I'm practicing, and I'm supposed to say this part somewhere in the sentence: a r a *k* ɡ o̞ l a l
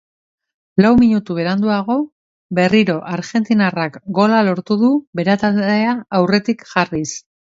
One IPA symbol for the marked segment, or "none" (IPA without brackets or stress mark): k